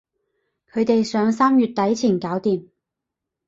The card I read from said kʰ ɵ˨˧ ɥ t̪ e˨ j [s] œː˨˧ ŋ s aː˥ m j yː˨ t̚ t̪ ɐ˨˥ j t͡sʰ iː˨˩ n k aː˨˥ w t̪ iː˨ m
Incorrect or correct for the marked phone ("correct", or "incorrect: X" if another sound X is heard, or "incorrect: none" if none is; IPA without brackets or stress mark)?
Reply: correct